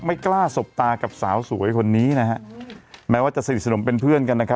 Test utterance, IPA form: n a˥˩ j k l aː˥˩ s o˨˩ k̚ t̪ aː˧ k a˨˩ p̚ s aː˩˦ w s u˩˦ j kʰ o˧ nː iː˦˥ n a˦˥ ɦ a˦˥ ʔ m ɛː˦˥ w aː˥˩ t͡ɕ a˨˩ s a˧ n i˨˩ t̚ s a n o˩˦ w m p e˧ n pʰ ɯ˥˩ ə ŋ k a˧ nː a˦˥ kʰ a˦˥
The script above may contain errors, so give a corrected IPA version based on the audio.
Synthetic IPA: m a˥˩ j k l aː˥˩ s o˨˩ p̚ t̪ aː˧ k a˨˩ p̚ s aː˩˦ w s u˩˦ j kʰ o˧ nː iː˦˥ n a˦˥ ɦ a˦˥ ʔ m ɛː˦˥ w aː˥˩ t͡ɕ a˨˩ s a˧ n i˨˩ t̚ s a n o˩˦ m p e˧ n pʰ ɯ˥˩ ə n k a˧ nː a˦˥ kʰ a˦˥